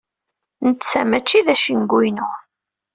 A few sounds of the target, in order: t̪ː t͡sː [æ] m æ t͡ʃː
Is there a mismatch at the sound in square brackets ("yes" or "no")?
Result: no